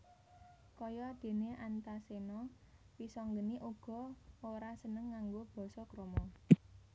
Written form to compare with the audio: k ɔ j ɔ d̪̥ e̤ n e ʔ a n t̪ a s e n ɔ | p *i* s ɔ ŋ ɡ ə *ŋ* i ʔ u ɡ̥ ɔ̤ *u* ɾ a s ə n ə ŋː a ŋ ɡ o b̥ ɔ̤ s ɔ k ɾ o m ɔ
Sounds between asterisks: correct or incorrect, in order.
correct, incorrect, incorrect

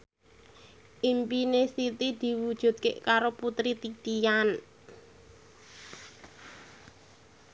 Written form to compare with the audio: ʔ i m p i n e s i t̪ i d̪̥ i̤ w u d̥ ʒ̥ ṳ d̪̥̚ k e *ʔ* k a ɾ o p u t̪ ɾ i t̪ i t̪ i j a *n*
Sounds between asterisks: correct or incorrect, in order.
correct, correct

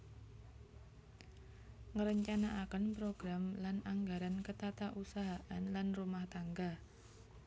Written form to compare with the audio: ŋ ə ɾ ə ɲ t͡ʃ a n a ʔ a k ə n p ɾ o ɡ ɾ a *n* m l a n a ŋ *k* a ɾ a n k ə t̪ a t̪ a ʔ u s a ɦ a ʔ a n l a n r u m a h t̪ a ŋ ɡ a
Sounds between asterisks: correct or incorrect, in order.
incorrect, incorrect

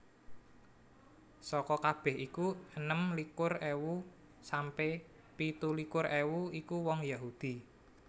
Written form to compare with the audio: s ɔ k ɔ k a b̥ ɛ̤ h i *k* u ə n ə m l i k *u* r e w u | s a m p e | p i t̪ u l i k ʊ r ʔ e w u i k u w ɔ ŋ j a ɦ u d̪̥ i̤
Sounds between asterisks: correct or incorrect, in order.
correct, incorrect

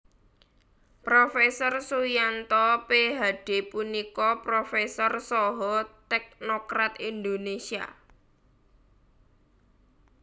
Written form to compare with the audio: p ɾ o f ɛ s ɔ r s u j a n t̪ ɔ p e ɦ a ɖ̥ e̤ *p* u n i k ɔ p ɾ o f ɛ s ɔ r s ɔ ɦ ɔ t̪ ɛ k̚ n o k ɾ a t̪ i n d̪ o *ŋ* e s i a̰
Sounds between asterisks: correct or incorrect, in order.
correct, incorrect

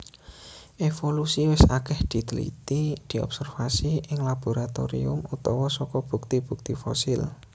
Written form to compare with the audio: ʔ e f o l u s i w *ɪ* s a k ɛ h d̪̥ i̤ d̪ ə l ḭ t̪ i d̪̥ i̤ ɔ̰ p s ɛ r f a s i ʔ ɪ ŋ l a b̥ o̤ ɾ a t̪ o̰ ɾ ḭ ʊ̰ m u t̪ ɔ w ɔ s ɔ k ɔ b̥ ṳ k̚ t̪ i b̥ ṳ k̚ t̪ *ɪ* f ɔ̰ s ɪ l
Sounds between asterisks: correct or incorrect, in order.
correct, incorrect

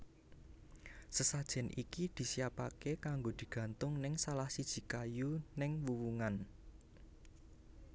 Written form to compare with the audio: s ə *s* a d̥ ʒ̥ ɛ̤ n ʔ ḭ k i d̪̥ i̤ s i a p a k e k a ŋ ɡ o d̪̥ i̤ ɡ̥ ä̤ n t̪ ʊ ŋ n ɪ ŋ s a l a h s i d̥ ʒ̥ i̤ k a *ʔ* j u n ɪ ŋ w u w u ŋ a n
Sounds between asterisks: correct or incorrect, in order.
correct, incorrect

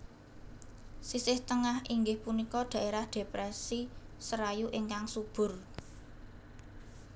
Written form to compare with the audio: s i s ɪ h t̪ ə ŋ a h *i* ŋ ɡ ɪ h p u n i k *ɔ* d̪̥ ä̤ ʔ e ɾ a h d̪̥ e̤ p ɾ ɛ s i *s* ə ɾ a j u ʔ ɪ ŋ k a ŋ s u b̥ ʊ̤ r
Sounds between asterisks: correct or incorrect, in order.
correct, correct, correct

